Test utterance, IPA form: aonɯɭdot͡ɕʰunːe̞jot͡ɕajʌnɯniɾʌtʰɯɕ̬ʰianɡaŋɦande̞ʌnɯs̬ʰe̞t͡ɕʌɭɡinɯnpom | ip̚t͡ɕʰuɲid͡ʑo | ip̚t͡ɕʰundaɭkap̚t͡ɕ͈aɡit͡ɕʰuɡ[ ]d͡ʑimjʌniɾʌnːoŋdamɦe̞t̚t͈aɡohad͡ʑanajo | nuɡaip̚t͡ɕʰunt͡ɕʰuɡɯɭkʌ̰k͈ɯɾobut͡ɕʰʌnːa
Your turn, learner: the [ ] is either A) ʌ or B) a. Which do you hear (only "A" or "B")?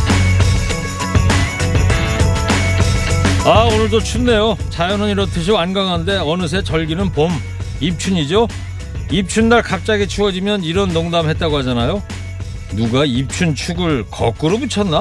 A